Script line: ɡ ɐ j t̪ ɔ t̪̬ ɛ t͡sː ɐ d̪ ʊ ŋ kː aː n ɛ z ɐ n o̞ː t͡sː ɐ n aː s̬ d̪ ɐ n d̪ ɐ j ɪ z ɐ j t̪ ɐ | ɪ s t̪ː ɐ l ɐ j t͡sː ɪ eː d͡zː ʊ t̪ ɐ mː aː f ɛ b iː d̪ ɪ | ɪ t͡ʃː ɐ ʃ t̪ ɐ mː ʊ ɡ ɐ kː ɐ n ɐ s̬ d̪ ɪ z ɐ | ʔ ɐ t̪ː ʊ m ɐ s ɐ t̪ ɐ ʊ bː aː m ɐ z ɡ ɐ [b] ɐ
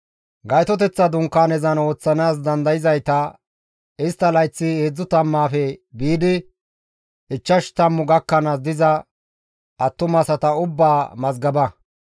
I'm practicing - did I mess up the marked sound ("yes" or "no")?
no